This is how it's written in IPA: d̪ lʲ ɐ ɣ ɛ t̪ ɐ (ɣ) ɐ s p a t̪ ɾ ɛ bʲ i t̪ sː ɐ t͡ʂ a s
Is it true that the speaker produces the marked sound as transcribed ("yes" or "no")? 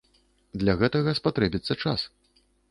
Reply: yes